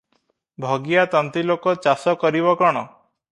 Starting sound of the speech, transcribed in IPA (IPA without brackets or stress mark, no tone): bʱ